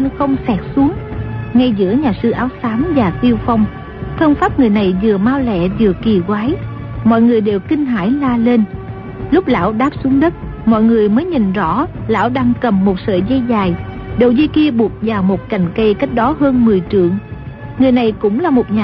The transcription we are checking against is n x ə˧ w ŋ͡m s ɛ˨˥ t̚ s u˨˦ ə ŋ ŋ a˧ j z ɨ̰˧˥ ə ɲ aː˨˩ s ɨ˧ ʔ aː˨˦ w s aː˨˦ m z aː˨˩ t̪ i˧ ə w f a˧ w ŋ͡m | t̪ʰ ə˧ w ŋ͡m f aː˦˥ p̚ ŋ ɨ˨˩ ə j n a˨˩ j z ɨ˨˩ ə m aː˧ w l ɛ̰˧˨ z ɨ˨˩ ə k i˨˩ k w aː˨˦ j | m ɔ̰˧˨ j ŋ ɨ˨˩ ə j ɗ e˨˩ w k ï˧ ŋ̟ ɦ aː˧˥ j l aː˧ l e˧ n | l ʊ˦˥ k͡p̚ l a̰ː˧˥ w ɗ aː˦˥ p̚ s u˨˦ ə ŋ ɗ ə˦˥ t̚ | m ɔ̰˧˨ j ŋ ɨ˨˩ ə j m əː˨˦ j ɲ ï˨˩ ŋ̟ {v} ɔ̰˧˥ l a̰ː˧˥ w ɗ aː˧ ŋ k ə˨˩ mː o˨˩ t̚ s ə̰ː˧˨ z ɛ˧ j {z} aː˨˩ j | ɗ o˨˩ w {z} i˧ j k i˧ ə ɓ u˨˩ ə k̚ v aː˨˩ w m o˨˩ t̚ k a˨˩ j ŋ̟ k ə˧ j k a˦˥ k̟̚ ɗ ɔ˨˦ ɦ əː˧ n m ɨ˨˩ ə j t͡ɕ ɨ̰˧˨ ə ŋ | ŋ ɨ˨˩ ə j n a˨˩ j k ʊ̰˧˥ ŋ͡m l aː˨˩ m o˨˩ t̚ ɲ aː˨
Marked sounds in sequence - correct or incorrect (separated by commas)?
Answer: incorrect, correct, correct